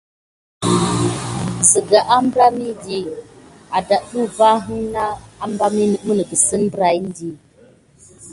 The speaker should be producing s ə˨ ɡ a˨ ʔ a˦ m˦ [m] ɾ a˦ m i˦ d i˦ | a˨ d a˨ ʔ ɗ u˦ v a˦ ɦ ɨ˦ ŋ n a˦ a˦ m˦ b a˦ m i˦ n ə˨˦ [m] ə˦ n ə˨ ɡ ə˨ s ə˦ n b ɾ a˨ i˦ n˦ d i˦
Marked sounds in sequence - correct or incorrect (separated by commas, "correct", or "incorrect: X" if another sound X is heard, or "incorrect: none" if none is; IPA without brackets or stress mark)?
incorrect: b, correct